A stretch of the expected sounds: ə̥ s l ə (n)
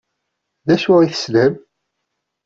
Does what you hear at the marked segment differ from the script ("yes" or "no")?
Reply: yes